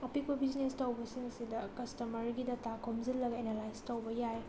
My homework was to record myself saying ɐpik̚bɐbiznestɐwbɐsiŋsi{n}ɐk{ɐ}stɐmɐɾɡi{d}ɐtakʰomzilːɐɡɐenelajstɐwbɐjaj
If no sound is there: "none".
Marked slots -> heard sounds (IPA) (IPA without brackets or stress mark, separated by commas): d, ɐ, d